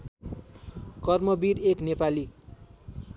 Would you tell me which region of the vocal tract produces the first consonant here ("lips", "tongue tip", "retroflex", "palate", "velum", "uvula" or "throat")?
velum